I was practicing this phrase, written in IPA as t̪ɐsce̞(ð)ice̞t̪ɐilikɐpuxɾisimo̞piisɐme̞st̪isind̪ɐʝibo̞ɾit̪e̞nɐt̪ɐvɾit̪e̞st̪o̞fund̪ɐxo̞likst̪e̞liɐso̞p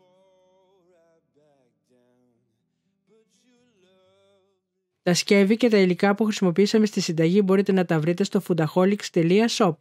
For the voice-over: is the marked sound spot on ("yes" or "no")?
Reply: no